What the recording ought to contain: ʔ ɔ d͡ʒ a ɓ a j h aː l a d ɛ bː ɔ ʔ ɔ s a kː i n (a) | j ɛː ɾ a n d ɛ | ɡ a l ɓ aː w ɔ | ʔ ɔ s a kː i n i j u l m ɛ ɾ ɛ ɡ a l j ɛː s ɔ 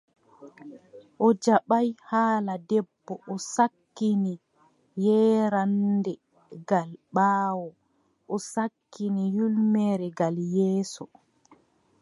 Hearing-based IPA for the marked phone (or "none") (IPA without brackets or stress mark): i